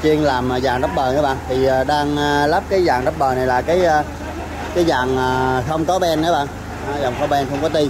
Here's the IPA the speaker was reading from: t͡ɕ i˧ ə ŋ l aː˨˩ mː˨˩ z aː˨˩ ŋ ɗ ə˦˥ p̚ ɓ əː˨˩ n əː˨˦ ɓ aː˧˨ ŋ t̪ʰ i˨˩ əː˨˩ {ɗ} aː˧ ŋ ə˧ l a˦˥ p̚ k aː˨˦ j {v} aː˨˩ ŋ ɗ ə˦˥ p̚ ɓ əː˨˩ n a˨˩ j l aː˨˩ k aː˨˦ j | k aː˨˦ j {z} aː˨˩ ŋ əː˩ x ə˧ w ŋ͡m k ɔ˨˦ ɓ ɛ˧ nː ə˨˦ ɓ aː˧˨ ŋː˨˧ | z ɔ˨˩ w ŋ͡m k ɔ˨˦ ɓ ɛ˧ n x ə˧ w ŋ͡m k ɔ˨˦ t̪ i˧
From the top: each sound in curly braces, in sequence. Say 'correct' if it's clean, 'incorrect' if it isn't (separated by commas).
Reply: correct, incorrect, correct